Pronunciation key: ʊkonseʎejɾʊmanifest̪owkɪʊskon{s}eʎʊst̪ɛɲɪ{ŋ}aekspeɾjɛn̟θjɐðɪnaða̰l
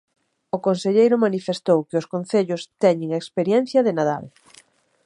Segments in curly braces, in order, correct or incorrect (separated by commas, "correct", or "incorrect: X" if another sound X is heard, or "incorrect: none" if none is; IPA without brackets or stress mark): incorrect: θ, correct